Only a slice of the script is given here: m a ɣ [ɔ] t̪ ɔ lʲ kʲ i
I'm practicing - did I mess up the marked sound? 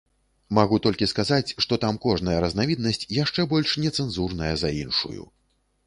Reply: yes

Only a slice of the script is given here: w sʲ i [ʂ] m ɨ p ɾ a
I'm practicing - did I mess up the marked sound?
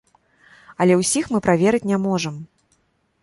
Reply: yes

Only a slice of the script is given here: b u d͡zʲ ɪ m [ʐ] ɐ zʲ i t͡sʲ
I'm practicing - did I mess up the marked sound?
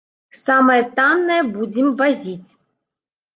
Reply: yes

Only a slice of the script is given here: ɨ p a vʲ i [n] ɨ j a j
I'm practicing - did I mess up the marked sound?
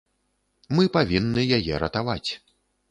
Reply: yes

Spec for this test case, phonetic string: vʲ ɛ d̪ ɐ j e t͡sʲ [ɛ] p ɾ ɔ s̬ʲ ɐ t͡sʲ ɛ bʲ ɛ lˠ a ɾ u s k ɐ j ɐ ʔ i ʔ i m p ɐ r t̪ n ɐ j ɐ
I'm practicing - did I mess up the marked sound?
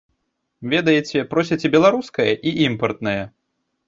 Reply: no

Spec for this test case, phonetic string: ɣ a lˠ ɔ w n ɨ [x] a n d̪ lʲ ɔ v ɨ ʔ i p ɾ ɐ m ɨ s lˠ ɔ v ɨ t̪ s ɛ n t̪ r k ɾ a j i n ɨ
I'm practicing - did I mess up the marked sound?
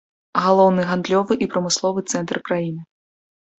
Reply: yes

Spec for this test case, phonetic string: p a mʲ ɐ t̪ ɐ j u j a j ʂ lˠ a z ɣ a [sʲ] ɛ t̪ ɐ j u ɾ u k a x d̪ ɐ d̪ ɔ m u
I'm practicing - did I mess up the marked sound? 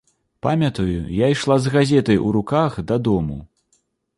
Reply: yes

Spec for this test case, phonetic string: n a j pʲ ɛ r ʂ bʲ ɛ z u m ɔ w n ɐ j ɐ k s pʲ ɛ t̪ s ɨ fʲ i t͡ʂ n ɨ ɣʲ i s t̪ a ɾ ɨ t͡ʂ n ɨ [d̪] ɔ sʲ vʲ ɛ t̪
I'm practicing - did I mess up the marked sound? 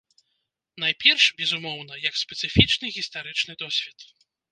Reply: no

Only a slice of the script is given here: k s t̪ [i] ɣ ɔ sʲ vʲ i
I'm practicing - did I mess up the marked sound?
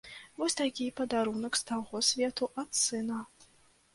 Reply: yes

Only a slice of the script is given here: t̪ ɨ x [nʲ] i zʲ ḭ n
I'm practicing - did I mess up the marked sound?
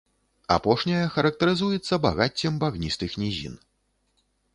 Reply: no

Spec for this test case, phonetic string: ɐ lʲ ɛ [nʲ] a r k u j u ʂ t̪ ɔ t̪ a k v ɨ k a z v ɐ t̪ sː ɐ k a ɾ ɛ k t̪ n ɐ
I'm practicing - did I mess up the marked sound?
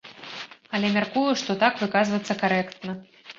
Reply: yes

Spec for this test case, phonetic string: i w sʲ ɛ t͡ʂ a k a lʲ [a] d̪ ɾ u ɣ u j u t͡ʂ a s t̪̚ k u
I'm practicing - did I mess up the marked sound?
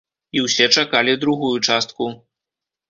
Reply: yes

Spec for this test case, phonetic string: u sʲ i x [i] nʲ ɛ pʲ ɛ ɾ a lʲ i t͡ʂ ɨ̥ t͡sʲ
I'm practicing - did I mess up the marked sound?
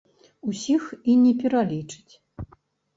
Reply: no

